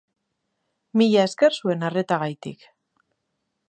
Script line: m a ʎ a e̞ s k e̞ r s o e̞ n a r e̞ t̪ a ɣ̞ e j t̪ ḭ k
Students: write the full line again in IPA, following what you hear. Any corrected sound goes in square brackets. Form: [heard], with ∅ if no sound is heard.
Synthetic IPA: m [i] ʎ a e̞ s k e̞ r s [u] e̞ n a r e̞ t̪ a ɣ̞ [a] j t̪ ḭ k